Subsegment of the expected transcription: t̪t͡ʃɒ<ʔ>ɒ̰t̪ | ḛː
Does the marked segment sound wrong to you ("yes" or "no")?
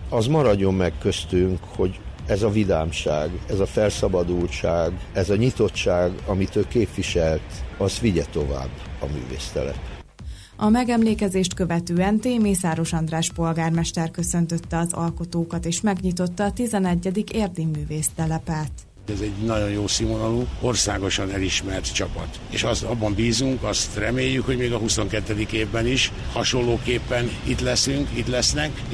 yes